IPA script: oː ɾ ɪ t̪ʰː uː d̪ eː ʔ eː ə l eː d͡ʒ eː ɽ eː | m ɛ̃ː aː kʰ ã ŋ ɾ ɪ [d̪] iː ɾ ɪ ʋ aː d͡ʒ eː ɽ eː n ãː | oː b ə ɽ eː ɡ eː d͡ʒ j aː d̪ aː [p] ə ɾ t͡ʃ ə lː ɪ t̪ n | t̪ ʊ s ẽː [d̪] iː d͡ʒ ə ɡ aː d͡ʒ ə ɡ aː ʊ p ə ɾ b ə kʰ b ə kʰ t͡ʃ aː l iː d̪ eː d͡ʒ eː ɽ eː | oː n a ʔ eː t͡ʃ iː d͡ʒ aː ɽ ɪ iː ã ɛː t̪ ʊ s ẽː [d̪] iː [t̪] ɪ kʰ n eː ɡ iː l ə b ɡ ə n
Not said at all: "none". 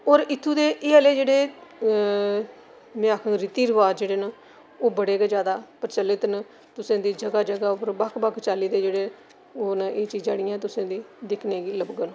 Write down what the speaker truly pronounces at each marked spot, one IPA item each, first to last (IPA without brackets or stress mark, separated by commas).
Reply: t̪, p, d̪, d̪, d̪